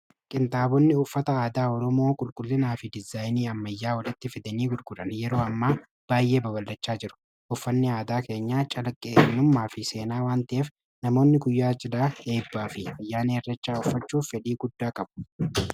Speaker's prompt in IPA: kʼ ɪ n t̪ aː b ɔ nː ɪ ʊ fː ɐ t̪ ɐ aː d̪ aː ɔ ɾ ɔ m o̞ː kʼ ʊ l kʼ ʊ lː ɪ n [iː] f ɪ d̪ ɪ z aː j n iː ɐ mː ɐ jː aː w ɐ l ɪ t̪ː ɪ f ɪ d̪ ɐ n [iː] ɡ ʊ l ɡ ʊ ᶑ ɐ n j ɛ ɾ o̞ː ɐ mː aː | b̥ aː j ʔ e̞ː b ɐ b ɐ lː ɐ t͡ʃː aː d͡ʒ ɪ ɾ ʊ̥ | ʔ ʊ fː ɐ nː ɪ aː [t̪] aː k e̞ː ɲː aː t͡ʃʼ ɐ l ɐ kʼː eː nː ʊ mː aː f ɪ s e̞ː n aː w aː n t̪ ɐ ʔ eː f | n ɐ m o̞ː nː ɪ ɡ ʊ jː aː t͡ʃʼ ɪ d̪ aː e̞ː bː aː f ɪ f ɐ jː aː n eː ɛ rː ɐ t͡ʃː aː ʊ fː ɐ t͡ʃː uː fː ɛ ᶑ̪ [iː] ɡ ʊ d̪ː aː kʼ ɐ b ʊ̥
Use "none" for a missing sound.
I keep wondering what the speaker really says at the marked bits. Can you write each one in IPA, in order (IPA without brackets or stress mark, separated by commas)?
aː, iː, d̪, iː